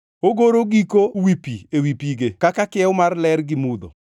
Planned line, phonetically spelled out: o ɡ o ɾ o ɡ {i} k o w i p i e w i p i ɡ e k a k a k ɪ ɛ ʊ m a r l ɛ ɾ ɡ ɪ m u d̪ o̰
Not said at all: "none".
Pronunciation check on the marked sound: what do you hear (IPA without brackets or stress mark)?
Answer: i